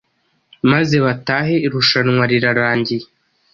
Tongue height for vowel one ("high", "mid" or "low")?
low